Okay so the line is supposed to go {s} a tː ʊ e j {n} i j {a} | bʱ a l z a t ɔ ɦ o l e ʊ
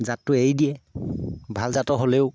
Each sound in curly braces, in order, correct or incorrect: incorrect, incorrect, incorrect

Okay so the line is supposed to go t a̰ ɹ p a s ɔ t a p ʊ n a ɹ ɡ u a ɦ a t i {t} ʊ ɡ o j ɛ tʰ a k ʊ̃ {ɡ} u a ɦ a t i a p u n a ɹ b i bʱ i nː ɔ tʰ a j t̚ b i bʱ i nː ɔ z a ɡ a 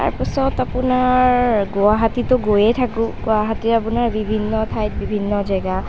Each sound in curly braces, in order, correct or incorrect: correct, correct

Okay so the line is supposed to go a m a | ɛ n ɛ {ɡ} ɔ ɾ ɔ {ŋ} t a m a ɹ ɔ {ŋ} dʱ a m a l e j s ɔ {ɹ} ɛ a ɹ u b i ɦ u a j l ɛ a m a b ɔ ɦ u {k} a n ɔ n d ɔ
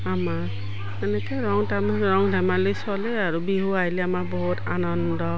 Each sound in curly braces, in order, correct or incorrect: incorrect, correct, correct, incorrect, incorrect

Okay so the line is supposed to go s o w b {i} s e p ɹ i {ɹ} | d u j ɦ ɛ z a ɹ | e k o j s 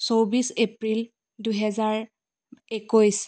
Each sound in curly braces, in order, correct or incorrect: correct, incorrect

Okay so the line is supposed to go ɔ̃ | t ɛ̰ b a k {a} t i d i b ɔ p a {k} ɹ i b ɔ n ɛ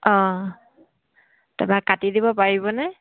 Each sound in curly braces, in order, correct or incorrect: correct, incorrect

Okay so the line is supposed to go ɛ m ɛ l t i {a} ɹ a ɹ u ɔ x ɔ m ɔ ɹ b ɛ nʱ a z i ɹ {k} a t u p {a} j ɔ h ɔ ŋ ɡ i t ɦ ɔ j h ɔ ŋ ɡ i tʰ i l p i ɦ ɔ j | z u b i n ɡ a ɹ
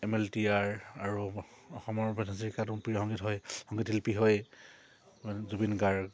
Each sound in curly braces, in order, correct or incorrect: correct, correct, incorrect

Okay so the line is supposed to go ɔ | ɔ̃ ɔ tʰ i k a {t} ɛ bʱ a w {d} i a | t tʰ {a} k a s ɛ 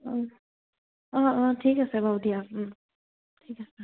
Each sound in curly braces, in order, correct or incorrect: incorrect, correct, incorrect

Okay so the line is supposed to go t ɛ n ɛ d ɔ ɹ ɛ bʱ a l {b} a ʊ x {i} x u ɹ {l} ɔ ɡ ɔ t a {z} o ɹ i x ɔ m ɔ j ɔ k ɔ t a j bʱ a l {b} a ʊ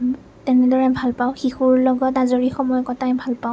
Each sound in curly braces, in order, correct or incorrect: incorrect, correct, correct, correct, incorrect

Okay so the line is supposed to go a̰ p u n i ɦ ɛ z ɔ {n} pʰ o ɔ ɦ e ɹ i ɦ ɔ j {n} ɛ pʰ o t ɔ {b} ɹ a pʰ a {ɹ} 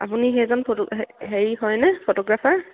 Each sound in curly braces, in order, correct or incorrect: correct, correct, incorrect, correct

